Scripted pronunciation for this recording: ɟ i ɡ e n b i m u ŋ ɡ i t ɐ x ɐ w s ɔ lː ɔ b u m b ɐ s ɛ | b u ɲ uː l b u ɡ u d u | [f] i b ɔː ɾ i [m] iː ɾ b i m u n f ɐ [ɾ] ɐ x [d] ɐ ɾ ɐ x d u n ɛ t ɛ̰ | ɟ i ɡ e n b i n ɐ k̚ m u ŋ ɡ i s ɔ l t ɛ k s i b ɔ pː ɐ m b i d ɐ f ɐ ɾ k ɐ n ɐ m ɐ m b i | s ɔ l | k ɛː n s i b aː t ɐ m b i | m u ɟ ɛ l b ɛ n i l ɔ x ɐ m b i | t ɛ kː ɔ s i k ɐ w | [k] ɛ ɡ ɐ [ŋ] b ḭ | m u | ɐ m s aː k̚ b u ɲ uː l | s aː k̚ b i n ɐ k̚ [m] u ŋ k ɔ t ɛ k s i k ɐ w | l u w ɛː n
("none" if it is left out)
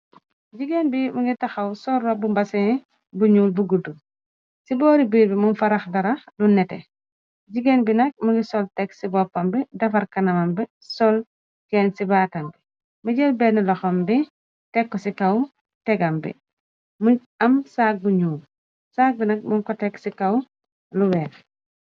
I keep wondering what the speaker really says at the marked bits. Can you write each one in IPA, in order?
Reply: s, b, ɾ, d, t, m, m

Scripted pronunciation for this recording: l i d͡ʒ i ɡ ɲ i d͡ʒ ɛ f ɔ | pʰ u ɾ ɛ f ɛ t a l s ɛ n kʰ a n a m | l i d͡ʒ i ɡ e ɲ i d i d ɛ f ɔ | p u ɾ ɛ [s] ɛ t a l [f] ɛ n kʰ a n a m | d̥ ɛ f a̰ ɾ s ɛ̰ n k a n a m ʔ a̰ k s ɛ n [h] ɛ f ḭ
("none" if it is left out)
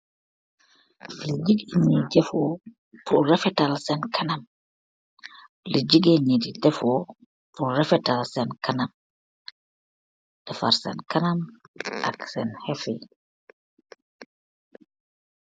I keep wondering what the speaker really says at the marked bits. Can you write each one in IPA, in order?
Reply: f, s, h

